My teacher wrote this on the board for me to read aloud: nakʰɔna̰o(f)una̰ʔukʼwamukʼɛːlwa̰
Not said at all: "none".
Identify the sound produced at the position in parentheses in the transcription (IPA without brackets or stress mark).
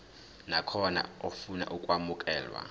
f